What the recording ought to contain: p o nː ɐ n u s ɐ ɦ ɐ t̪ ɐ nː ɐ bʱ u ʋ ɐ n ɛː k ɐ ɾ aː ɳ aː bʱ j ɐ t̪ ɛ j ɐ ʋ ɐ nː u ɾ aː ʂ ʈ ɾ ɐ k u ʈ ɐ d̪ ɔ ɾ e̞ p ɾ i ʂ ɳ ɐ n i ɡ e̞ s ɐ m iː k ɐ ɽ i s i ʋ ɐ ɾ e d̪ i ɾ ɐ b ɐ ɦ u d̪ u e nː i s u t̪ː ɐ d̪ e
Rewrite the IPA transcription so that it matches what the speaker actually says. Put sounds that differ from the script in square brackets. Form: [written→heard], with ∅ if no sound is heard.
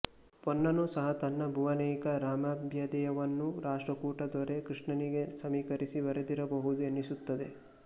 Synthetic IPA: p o nː ɐ n u s ɐ ɦ ɐ t̪ ɐ nː ɐ bʱ u ʋ ɐ n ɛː k ɐ ɾ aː [ɳ→m] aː bʱ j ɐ [t̪→d̪] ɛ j ɐ ʋ ɐ nː u ɾ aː ʂ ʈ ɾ ɐ k [u→uː] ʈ ɐ d̪ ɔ ɾ e̞ [p→k] ɾ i ʂ ɳ ɐ n i ɡ e̞ s ɐ m iː k ɐ [ɽ→ɾ] i s i ʋ ɐ ɾ e d̪ i ɾ ɐ b ɐ ɦ u d̪ u e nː i s u t̪ː ɐ d̪ e

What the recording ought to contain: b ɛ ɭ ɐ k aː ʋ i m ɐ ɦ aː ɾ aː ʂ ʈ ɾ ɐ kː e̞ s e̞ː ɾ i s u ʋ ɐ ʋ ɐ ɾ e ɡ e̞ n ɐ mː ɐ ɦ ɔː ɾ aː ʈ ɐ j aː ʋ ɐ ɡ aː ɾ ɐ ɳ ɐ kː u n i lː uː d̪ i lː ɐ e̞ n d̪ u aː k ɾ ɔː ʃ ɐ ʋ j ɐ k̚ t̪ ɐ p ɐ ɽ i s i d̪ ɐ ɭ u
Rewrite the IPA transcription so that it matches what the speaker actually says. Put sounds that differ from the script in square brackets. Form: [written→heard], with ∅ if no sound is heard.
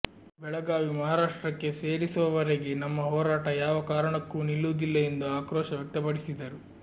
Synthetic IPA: b ɛ ɭ ɐ [k→ɡ] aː ʋ i m ɐ ɦ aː ɾ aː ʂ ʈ ɾ ɐ kː e̞ s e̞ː ɾ i s u ʋ ɐ ʋ ɐ ɾ e ɡ e̞ n ɐ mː ɐ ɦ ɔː ɾ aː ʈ ɐ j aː ʋ ɐ [ɡ→k] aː ɾ ɐ ɳ ɐ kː u n i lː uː d̪ i lː ɐ e̞ n d̪ u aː k ɾ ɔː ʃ ɐ ʋ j ɐ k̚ t̪ ɐ p ɐ ɽ i s i d̪ ɐ [ɭ→ɾ] u

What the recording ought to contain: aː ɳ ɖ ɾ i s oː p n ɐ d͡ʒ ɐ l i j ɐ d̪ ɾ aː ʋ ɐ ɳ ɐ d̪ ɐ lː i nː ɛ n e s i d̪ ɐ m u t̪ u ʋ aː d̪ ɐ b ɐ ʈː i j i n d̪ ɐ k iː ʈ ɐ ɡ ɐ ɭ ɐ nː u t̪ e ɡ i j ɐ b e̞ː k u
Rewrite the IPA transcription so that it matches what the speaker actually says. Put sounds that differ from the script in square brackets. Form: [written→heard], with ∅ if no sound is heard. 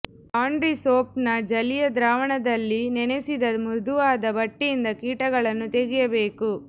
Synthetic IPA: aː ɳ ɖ ɾ i s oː p n ɐ d͡ʒ ɐ l i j ɐ d̪ ɾ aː ʋ ɐ ɳ ɐ d̪ ɐ lː i [nː→n] ɛ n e s i d̪ ɐ m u [t̪→d̪] u ʋ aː d̪ ɐ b ɐ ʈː i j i n d̪ ɐ k iː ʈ ɐ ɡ ɐ ɭ ɐ nː u t̪ e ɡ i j ɐ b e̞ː k u

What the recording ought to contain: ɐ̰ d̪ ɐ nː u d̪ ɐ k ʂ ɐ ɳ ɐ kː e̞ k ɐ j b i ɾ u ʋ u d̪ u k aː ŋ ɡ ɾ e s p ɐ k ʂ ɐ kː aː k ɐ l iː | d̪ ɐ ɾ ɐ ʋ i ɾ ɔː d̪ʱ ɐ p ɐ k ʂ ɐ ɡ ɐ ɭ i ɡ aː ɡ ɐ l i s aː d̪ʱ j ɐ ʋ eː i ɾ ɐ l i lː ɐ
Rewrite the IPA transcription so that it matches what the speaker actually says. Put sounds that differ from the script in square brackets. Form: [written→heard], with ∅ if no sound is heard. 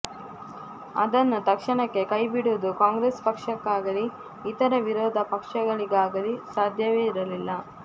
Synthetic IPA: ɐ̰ d̪ ɐ nː u [d̪→t̪] ɐ k ʂ ɐ ɳ ɐ kː e̞ k ɐ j b i [ɾ→ɽ] u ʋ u d̪ u k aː ŋ ɡ ɾ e s p ɐ k ʂ ɐ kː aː [k→ɡ] ɐ l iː | [d̪→t̪] ɐ ɾ ɐ ʋ i ɾ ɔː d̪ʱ ɐ p ɐ k ʂ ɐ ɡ ɐ ɭ i ɡ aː ɡ ɐ l i s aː d̪ʱ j ɐ ʋ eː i ɾ ɐ l i lː ɐ

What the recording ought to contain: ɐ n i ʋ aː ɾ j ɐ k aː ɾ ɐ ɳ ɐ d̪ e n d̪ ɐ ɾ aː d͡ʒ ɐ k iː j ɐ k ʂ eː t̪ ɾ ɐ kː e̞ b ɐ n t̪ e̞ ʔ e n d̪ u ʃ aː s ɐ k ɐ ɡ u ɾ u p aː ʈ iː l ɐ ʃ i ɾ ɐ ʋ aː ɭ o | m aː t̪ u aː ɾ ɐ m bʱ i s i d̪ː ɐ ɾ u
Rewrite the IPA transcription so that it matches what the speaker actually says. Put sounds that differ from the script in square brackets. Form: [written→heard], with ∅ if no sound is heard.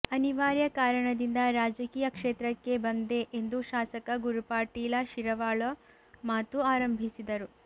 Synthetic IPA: ɐ n i ʋ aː ɾ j ɐ k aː ɾ ɐ ɳ ɐ d̪ [e→i] n d̪ ɐ ɾ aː d͡ʒ ɐ k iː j ɐ k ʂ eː t̪ ɾ ɐ kː e̞ b ɐ n [t̪→d̪] e̞ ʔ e n d̪ u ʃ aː s ɐ k ɐ ɡ u ɾ u p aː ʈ iː l ɐ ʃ i ɾ ɐ ʋ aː ɭ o | m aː t̪ u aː ɾ ɐ m bʱ i s i [d̪ː→d̪] ɐ ɾ u

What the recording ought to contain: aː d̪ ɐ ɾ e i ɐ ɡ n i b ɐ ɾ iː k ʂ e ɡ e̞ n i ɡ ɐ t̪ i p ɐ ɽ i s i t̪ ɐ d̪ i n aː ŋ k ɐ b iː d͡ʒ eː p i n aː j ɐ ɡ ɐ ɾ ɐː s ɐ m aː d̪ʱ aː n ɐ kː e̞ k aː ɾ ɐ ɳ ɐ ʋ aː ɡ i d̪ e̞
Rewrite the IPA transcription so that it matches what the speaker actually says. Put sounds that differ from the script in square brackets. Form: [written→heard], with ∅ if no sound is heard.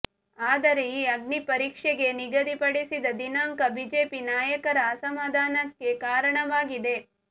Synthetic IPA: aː d̪ ɐ ɾ e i ɐ ɡ n i [b→p] ɐ ɾ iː k ʂ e ɡ e̞ n i ɡ ɐ [t̪→d̪] i p ɐ ɽ i s i [t̪→d̪] ɐ d̪ i n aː ŋ k ɐ b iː d͡ʒ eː p i n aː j ɐ [ɡ→k] ɐ ɾ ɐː s ɐ m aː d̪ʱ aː n ɐ kː e̞ k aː ɾ ɐ ɳ ɐ ʋ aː ɡ i d̪ e̞

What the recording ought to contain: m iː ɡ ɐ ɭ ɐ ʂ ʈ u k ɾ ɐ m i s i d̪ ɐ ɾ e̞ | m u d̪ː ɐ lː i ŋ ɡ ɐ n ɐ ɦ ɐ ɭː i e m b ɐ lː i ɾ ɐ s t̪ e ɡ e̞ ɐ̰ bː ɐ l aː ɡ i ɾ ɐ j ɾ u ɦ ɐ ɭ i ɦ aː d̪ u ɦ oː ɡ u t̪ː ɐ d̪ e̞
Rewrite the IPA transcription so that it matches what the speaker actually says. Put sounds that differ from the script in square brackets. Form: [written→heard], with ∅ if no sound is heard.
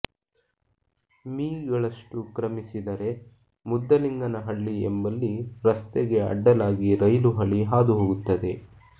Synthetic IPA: m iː ɡ ɐ ɭ ɐ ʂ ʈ u k ɾ ɐ m i s i d̪ ɐ ɾ e̞ | m u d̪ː ɐ [lː→l] i ŋ ɡ ɐ n ɐ ɦ ɐ ɭː i e m b ɐ lː i ɾ ɐ s t̪ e ɡ e̞ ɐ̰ [bː→ɖː] ɐ l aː ɡ i ɾ ɐ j [ɾ→l] u ɦ ɐ ɭ i ɦ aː d̪ u ɦ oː ɡ u t̪ː ɐ d̪ e̞

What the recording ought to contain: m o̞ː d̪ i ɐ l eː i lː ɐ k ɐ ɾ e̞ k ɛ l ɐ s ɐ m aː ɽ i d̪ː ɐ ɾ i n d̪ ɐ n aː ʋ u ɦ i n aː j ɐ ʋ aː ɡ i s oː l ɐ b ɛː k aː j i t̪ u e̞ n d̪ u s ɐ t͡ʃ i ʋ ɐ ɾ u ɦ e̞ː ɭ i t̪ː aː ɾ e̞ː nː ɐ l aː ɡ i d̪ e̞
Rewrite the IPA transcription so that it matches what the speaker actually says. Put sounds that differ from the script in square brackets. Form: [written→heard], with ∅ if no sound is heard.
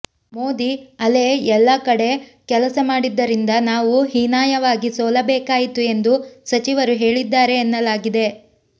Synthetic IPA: m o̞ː d̪ i ɐ l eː [i→ɛ] lː ɐ k ɐ [ɾ→ɽ] e̞ k ɛ l ɐ s ɐ m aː ɽ i d̪ː ɐ ɾ i n d̪ ɐ n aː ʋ u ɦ i n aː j ɐ ʋ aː ɡ i s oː l ɐ b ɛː k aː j i t̪ u e̞ n d̪ u s ɐ t͡ʃ i ʋ ɐ ɾ u ɦ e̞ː ɭ i [t̪ː→d̪ː] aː ɾ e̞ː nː ɐ l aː ɡ i d̪ e̞

